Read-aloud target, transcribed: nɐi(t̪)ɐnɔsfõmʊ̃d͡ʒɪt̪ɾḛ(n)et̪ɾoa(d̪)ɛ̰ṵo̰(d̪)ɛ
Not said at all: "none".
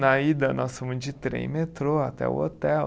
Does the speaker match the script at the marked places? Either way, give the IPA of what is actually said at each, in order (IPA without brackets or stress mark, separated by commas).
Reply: d̪, m, t̪, t̪